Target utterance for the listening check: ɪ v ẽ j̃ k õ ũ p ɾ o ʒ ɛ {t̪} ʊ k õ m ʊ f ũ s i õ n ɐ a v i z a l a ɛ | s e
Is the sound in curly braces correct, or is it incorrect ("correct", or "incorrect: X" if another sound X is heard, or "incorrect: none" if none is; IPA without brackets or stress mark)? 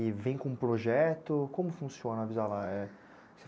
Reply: correct